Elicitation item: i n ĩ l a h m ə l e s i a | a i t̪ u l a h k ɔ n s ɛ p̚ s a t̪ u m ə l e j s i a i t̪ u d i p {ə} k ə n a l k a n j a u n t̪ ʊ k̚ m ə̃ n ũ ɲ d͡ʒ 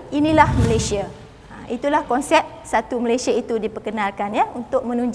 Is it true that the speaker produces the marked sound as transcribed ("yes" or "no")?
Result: yes